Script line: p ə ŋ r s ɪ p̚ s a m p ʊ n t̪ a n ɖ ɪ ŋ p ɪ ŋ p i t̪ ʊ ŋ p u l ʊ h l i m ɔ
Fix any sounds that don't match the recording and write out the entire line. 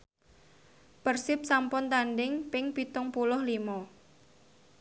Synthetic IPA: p ə r s ɪ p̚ s a m p ʊ n t̪ a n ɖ ɪ ŋ p ɪ ŋ p i t̪ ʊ ŋ p u l ʊ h l i m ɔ